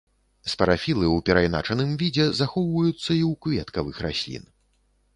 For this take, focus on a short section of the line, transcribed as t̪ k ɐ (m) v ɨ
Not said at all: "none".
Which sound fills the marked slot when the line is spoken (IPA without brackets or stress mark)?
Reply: none